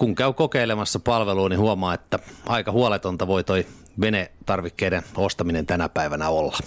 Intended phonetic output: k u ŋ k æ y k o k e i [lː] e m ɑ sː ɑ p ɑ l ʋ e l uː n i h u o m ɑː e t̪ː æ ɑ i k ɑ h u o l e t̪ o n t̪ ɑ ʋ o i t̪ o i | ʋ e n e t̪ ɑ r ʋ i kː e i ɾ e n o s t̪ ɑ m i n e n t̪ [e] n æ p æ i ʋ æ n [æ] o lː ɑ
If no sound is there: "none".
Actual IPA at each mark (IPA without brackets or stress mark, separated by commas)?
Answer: l, æ, æ